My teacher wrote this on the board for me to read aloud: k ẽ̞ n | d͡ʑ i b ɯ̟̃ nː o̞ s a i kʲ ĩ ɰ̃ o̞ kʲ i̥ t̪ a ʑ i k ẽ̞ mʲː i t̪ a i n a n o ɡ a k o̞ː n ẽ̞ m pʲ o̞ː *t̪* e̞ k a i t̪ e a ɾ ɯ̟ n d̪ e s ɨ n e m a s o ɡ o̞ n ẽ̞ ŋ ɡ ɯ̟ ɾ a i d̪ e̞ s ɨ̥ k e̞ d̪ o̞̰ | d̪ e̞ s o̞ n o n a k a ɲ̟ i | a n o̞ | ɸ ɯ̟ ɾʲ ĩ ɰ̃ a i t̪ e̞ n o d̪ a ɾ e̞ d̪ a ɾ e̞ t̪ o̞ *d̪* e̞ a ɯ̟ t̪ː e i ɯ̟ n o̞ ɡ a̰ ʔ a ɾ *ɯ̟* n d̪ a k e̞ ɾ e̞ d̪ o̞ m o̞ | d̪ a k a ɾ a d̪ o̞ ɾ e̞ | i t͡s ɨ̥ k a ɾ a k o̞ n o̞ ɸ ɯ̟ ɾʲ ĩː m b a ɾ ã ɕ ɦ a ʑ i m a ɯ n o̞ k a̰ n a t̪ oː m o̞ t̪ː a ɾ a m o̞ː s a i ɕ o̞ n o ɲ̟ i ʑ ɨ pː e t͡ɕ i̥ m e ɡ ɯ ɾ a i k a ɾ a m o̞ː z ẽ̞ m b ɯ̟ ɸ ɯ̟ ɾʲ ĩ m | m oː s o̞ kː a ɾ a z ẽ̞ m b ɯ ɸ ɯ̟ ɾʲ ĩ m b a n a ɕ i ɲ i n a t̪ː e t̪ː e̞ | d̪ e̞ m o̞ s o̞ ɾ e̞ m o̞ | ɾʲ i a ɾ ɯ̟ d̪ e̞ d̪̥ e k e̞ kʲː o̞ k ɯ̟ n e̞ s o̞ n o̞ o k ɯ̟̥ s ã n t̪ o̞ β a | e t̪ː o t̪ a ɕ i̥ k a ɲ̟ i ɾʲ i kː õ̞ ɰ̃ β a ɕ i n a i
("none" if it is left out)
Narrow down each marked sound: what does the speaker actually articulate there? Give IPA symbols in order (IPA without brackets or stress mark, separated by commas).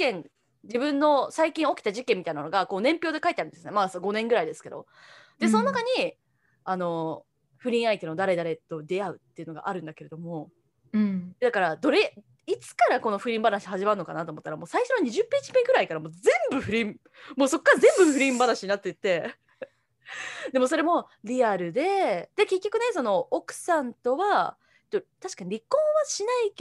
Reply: d̪, d̪, ɯ̟̃